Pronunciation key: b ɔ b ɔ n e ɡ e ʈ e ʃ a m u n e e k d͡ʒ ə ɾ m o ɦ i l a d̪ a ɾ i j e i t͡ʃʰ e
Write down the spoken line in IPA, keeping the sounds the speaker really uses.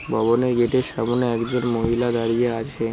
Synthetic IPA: b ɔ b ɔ n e ɡ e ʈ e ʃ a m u n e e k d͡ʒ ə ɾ m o ɦ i l a d̪ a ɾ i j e a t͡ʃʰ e